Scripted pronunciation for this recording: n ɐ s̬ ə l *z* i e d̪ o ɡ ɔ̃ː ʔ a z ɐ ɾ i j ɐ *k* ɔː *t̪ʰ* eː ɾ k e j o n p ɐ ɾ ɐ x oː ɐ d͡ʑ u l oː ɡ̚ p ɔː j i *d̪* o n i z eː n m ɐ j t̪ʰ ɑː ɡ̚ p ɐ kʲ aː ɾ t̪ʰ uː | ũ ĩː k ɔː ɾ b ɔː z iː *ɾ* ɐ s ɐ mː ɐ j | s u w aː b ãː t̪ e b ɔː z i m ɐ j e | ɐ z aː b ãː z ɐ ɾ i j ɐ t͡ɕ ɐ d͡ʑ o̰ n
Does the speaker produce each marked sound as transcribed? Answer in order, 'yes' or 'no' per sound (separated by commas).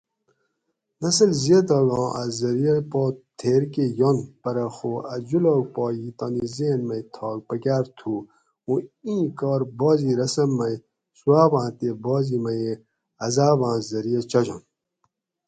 yes, no, yes, no, yes